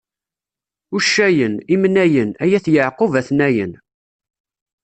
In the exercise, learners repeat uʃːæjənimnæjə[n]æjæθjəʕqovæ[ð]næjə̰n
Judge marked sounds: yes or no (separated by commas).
yes, no